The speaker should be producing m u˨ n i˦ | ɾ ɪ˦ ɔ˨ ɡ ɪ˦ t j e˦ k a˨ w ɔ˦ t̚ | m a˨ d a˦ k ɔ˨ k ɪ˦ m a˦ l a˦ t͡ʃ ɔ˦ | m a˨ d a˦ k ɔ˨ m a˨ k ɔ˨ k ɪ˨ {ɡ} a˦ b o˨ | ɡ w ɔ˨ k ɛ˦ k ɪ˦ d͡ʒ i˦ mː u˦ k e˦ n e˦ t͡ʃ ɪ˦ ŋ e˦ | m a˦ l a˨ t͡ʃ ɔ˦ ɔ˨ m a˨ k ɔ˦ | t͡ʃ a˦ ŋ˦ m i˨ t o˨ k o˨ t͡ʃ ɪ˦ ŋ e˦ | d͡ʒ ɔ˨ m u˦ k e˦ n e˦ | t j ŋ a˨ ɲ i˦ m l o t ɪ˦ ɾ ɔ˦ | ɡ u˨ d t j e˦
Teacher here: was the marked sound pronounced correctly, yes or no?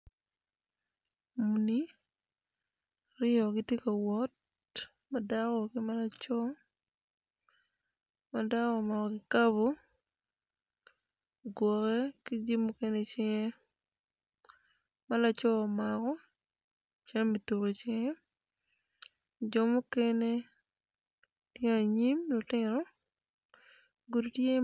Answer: no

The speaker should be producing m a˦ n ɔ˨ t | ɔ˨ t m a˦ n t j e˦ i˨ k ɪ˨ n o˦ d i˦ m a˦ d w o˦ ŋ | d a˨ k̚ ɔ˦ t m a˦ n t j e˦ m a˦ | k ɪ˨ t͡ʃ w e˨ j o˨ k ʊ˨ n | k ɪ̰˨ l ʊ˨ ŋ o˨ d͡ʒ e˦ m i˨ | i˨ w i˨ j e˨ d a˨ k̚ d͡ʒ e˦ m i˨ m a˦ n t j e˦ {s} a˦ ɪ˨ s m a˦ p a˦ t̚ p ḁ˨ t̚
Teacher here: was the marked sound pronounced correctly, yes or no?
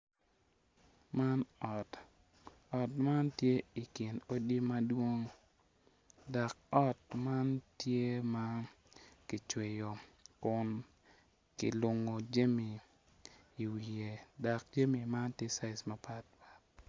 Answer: yes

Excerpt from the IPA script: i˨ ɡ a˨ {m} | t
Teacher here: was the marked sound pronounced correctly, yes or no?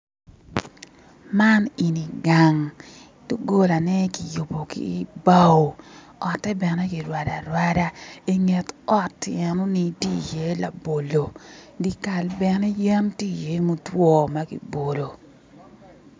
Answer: no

